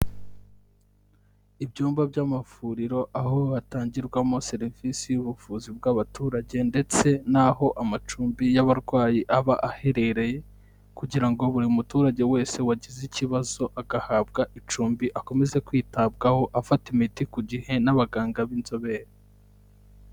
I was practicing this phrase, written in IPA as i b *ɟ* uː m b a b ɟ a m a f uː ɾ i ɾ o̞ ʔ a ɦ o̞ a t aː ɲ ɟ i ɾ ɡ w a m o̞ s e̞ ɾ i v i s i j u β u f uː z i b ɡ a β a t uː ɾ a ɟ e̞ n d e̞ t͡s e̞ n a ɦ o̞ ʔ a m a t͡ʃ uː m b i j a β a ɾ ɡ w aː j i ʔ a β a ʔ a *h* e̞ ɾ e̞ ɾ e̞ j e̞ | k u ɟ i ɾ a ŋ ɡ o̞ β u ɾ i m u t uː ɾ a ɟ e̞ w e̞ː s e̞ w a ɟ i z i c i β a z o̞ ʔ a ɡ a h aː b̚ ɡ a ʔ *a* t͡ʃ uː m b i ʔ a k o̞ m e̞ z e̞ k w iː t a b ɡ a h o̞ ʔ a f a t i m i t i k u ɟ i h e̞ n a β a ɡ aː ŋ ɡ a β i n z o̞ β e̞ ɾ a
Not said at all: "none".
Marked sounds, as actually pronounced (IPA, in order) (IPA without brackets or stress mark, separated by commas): ɟ, h, i